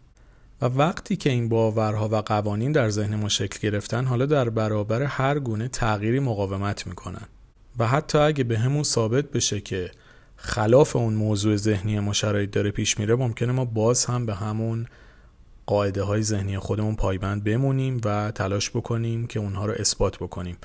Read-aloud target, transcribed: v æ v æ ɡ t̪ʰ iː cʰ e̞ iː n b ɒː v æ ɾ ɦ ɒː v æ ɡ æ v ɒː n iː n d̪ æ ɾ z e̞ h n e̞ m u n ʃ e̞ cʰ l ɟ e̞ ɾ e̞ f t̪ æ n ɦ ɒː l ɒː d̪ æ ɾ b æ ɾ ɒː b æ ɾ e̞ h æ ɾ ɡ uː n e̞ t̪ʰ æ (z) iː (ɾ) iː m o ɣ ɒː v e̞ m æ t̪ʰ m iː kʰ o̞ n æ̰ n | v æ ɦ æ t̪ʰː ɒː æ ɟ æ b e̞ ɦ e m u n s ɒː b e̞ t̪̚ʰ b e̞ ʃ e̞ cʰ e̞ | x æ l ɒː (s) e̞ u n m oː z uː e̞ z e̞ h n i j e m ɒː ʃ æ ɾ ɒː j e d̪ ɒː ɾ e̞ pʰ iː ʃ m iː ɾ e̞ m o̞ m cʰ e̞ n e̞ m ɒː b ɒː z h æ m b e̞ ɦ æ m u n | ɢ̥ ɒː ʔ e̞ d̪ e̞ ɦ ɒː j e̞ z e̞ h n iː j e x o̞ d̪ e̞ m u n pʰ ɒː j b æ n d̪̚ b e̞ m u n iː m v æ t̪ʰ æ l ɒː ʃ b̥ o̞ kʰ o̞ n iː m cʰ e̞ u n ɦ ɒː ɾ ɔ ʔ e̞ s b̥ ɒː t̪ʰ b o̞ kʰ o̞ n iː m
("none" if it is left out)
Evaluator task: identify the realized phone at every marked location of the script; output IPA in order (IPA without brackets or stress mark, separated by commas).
ɣ, ɾ, f